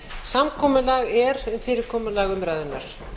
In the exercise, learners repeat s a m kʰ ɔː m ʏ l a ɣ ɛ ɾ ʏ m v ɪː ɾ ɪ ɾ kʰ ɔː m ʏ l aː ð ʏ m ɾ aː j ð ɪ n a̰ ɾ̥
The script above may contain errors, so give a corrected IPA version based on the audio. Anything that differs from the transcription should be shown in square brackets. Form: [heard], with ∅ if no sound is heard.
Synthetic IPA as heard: s a m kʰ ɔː m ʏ l a ɣ ɛ ɾ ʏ m [f] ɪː ɾ ɪ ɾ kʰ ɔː m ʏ l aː [ɣ] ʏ m ɾ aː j ð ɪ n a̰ ɾ̥